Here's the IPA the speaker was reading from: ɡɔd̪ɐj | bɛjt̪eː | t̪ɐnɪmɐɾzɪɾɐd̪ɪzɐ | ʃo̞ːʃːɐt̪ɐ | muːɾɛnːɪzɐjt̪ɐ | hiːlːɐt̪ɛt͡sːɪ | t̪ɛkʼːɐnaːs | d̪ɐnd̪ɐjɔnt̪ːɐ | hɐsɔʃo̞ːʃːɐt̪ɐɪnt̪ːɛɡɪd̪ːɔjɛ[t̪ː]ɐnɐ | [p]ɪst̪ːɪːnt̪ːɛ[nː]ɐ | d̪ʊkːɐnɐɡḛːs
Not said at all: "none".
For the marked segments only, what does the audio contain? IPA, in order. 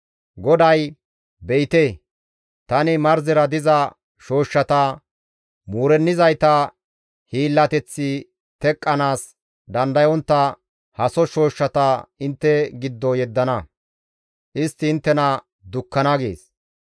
d̪ː, ʔ, n

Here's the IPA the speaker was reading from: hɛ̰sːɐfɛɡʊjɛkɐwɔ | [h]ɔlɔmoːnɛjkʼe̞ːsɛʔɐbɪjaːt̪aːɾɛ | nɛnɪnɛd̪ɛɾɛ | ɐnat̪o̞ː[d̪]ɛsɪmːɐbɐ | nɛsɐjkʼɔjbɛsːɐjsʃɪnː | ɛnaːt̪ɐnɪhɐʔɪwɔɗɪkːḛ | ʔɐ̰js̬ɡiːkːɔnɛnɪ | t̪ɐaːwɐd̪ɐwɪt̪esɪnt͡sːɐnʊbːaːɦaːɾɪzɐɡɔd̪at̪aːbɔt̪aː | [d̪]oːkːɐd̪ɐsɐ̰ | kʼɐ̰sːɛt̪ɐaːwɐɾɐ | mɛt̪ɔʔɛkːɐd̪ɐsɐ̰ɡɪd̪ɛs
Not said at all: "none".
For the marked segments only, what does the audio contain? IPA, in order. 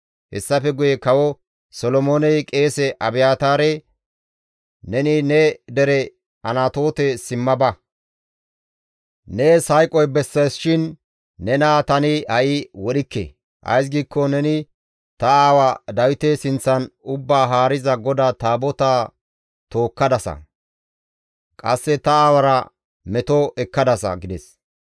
s, t̪, t̪

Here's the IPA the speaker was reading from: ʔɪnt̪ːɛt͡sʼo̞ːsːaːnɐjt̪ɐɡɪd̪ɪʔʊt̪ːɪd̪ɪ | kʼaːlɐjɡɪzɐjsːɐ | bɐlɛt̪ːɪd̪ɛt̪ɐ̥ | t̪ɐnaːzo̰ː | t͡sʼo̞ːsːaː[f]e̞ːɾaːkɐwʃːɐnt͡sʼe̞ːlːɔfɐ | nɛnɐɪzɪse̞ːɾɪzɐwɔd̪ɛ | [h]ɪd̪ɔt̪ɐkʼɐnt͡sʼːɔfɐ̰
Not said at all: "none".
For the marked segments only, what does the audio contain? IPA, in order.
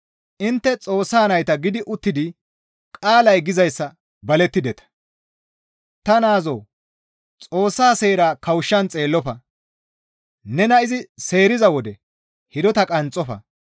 s, h

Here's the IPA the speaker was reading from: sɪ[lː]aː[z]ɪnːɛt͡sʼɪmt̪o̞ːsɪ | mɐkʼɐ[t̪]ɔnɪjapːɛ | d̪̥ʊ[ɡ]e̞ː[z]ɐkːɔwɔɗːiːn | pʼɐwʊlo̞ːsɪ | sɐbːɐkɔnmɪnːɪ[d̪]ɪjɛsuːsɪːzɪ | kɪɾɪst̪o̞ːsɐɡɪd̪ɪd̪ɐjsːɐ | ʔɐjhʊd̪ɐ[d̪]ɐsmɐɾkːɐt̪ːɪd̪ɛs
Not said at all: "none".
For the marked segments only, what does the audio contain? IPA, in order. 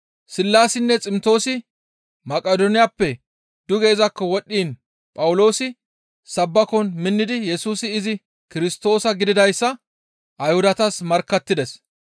lː, s, d̪, ɡ, z, d̪, t̪

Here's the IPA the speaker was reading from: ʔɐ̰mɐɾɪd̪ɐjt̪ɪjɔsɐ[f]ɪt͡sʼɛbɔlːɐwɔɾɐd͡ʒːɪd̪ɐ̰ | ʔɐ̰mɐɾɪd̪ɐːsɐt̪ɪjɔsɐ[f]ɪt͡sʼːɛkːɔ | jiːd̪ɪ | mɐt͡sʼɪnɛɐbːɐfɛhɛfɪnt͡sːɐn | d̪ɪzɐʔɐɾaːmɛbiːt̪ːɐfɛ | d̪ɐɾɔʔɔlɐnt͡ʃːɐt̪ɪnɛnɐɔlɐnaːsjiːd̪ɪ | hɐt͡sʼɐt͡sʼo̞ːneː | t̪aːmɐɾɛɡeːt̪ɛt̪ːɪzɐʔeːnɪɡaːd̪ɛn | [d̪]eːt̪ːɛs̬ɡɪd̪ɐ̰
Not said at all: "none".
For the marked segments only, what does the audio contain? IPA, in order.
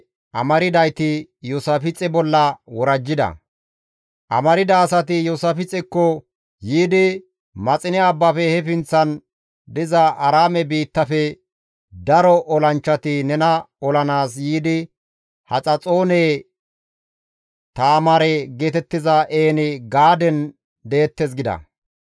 f, f, d̪

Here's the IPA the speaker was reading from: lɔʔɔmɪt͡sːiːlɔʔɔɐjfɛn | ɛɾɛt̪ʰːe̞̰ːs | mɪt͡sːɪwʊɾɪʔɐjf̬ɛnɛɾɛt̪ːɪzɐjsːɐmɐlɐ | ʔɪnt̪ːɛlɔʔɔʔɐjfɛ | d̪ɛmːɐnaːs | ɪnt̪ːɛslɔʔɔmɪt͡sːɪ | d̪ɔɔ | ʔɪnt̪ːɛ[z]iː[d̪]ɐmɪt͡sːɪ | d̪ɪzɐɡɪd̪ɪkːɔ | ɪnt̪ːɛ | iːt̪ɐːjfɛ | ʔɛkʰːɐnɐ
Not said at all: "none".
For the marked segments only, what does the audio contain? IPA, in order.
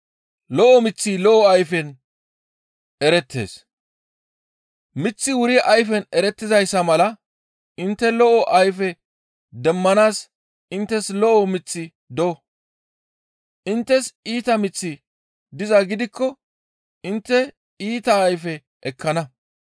s, t̪

